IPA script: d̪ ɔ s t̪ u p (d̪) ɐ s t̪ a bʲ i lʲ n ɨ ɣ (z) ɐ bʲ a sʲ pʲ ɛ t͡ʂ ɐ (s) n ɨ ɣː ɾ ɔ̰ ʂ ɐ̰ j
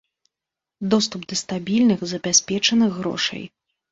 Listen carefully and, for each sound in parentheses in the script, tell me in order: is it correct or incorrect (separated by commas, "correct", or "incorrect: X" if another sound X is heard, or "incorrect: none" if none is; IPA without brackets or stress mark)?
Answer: correct, correct, incorrect: none